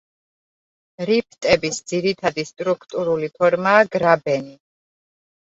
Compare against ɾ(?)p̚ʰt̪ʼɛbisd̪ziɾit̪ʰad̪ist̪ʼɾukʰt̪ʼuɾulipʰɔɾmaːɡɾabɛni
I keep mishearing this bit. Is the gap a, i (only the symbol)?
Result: i